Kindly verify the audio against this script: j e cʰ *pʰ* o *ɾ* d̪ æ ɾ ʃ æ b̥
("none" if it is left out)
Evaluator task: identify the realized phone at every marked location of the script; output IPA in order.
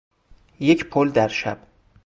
pʰ, l

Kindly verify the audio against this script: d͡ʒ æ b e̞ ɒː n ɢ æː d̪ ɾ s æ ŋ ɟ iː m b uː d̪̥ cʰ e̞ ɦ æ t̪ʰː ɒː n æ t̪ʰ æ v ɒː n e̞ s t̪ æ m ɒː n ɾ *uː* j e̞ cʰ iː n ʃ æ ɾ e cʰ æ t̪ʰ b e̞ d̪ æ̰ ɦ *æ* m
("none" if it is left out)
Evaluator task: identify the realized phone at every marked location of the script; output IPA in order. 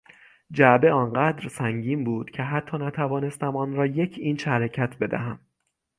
ɒː, æ

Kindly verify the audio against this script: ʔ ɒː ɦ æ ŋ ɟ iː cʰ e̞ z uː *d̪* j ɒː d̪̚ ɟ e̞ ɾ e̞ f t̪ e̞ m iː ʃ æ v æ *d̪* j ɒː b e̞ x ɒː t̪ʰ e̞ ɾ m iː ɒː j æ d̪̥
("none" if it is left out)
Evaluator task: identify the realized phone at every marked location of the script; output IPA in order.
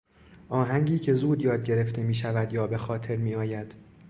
d̪, d̪

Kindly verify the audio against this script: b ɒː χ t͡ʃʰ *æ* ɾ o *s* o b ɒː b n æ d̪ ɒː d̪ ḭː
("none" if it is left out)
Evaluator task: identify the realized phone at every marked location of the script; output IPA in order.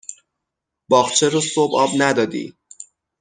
e, s

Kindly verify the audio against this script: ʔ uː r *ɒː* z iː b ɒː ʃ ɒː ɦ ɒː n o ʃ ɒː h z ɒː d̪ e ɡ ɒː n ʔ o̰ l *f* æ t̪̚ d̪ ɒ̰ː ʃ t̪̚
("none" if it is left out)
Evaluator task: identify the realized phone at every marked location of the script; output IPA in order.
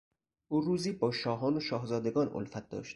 uː, f

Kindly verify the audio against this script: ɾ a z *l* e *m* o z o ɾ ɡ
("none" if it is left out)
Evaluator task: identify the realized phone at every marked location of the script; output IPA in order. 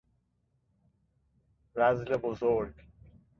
l, b

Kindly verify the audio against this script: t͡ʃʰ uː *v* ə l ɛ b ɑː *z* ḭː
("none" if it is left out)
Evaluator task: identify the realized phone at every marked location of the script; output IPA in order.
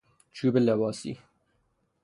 b, s

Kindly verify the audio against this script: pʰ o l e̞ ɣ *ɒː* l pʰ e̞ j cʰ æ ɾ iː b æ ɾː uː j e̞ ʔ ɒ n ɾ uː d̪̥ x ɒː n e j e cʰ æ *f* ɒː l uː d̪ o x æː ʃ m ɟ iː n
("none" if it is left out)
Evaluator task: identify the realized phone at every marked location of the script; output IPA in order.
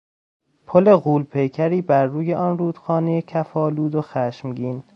uː, f

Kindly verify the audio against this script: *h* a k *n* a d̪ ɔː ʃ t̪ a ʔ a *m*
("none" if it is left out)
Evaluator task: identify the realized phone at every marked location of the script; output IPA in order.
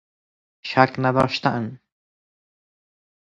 ʃ, n, n

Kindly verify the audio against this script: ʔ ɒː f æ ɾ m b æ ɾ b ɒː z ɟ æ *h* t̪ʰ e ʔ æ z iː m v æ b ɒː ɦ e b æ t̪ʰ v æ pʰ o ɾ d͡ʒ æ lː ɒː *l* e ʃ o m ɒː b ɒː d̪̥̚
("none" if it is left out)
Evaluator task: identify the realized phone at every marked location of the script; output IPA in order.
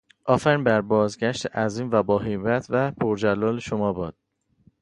ʃ, l

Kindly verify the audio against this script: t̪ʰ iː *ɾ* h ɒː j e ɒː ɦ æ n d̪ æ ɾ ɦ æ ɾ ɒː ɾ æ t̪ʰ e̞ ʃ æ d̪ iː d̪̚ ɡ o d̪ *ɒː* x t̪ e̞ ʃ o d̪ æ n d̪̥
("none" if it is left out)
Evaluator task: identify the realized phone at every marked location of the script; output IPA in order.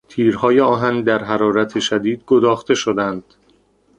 ɾ, ɒː

